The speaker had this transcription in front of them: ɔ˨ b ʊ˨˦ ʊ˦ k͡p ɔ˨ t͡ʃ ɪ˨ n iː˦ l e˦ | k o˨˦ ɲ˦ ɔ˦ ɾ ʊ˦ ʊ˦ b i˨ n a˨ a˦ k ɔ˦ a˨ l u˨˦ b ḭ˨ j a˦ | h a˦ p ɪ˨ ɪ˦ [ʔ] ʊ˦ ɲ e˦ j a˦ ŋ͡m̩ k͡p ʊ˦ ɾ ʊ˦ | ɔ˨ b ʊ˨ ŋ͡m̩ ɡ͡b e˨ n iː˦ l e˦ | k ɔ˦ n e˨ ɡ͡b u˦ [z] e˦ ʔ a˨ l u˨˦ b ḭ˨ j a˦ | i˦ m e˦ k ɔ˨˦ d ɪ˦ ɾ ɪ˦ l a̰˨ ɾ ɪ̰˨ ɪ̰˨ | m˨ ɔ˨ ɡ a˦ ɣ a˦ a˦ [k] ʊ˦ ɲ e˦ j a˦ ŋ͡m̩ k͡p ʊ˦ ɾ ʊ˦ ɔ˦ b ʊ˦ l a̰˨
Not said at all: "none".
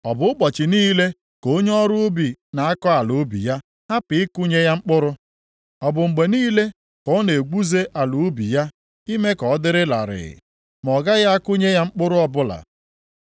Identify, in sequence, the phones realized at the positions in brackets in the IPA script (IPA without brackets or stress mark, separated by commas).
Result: k, z, k